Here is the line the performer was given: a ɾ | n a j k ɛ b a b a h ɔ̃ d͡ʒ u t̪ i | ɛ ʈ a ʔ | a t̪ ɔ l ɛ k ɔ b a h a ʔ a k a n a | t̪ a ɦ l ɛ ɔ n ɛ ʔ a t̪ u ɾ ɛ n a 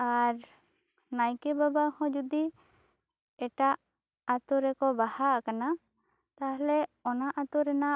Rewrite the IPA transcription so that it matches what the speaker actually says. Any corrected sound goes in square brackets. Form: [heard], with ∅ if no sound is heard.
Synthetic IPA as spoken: a ɾ | n a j k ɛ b a b a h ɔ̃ d͡ʒ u [d̪] i | ɛ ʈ a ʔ | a t̪ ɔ [ɾ] ɛ k ɔ b a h a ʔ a k a n a | t̪ a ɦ l ɛ ɔ n [a] ʔ a t̪ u ɾ ɛ n a